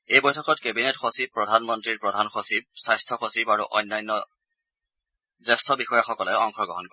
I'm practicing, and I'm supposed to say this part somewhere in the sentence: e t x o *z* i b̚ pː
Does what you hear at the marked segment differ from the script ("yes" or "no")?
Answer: yes